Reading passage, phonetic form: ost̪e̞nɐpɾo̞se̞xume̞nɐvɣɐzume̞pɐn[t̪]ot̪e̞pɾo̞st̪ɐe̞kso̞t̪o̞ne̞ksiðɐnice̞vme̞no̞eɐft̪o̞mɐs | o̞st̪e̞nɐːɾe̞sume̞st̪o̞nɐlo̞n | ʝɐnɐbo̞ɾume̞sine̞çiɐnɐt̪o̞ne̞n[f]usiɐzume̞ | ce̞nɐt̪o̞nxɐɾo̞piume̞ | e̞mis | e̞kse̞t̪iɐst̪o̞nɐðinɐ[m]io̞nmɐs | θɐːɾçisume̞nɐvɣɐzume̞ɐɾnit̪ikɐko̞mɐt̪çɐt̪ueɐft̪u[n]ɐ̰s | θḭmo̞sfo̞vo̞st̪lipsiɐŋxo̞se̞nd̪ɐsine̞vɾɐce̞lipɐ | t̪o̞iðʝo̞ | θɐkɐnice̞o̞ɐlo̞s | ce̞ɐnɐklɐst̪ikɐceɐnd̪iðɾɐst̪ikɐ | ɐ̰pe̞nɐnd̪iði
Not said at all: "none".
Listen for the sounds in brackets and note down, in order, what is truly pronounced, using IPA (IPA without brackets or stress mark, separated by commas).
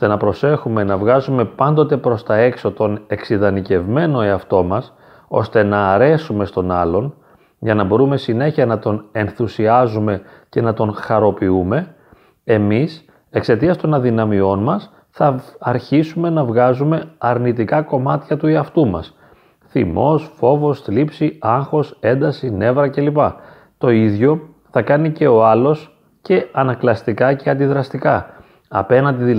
d̪, θ, m, m